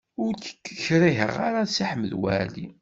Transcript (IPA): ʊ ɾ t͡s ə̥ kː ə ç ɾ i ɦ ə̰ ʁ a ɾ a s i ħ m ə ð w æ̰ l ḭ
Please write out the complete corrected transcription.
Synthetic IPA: ʊ ɾ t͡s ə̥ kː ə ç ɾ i ɦ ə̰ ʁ a ɾ a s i ħ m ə ð w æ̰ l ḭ